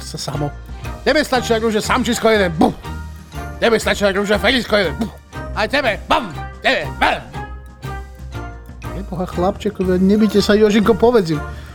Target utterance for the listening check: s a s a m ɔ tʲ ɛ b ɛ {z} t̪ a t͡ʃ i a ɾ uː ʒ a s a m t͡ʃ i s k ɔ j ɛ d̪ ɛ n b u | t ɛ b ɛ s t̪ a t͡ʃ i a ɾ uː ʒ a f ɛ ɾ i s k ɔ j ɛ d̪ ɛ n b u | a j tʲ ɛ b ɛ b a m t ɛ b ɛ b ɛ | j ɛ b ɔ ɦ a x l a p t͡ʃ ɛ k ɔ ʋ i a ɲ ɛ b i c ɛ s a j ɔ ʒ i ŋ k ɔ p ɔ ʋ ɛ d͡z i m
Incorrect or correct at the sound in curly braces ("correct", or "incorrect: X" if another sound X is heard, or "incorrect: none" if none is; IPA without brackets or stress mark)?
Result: incorrect: s